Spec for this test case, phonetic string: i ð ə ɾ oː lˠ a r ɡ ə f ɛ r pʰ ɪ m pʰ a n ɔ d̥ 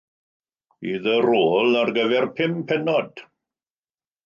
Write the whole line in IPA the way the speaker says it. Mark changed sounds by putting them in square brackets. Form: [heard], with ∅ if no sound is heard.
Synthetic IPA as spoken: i ð ə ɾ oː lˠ a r ɡ ə [v] ɛ r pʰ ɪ m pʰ [ɛ] n ɔ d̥